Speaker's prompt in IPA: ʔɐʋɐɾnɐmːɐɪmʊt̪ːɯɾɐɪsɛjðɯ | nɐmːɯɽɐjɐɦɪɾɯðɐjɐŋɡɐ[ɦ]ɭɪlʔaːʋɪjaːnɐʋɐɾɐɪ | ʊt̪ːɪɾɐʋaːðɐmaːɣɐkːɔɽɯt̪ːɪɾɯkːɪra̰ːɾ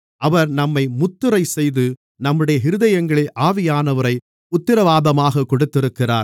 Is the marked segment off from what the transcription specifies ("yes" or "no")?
yes